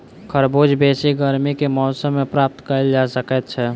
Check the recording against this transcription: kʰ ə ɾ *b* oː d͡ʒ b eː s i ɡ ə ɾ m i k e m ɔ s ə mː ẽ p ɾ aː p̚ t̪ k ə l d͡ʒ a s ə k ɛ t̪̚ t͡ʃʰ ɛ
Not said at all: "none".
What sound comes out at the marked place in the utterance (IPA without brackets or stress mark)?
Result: b